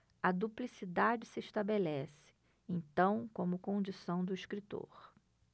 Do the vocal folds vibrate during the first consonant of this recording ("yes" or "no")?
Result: yes